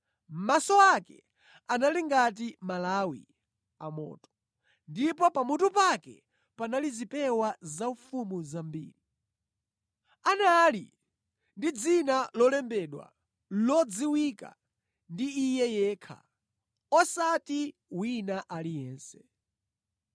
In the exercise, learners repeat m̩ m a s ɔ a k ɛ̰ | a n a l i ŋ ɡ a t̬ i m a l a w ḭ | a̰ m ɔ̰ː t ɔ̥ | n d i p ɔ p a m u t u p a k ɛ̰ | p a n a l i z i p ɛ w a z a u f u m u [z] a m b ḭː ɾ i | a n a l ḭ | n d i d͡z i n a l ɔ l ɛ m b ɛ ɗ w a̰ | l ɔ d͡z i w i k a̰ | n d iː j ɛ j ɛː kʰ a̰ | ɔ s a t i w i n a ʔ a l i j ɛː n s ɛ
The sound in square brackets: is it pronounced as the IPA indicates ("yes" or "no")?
yes